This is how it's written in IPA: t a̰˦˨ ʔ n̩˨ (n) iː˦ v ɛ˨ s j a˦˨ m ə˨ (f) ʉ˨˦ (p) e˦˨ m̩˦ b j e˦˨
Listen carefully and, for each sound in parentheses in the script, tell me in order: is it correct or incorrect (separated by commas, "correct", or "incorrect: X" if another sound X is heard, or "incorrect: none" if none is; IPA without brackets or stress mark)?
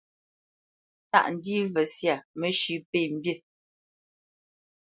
incorrect: d, incorrect: ʃ, correct